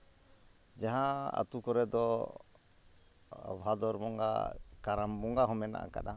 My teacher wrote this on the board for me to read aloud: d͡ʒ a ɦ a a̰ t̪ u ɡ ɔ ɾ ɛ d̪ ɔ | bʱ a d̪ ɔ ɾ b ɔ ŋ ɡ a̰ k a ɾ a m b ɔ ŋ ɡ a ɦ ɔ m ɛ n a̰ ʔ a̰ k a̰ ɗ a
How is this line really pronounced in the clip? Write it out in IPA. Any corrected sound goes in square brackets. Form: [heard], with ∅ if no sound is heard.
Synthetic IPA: d͡ʒ a ɦ a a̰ t̪ u [k] ɔ ɾ ɛ d̪ ɔ | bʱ a d̪ ɔ ɾ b ɔ ŋ ɡ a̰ k a ɾ a m b ɔ ŋ ɡ a ɦ ɔ m ɛ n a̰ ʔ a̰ k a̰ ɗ a